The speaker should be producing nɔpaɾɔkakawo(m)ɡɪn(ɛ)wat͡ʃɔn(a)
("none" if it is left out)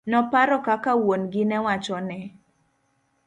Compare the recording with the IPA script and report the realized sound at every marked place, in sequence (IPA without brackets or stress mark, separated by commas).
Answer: n, ɛ, ɛ